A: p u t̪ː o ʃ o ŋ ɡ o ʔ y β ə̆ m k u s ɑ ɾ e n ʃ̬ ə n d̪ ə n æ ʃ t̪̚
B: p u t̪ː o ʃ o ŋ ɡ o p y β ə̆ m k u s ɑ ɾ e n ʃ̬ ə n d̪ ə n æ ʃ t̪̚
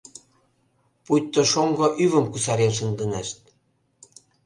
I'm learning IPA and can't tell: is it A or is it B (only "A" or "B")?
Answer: A